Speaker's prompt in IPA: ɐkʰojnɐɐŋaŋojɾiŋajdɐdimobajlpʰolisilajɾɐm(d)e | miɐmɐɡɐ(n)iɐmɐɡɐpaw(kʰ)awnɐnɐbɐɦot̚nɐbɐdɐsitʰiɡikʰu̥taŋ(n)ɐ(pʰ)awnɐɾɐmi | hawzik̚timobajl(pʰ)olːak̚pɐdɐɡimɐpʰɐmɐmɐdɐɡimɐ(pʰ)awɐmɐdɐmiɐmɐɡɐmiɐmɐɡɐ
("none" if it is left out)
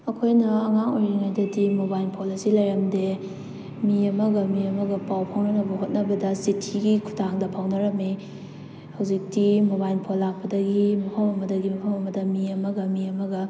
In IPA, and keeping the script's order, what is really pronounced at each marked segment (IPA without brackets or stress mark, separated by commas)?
d, m, pʰ, d, pʰ, pʰ, pʰ